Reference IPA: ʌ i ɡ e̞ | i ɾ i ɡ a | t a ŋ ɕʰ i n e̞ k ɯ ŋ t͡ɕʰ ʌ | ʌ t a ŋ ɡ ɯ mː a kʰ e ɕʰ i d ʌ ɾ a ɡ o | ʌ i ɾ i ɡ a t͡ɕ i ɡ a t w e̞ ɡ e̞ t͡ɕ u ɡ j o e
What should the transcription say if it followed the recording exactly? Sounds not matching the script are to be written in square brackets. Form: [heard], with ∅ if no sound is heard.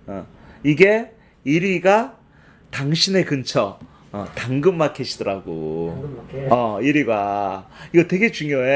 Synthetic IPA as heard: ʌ i ɡ e̞ | i ɾ i ɡ a | t a ŋ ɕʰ i n e̞ k ɯ [n] t͡ɕʰ ʌ | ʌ t a ŋ ɡ ɯ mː a kʰ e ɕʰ i d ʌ ɾ a ɡ o | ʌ i ɾ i ɡ a [∅] i ɡ [ʌ] t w e̞ ɡ e̞ t͡ɕ u [ŋ] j o e